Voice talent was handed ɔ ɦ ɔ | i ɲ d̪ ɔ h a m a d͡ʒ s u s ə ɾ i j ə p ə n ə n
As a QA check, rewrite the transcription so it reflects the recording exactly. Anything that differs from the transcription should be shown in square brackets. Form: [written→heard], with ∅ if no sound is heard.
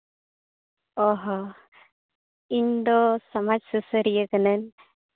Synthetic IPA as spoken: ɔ ɦ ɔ | i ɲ d̪ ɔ [h→s] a m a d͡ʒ s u s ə ɾ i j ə [p→k] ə n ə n